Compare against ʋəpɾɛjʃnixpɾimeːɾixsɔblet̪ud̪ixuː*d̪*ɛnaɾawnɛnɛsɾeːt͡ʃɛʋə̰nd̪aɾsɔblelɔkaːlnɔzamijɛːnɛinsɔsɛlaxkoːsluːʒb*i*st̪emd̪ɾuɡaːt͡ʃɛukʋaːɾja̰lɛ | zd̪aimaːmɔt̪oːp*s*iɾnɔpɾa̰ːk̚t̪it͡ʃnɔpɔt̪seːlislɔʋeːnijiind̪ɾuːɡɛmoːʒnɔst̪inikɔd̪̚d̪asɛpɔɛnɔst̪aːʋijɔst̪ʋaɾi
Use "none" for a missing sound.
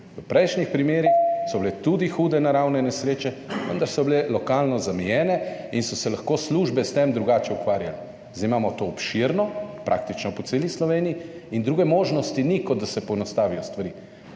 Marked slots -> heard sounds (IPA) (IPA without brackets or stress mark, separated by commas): d̪, ɛ, ʃ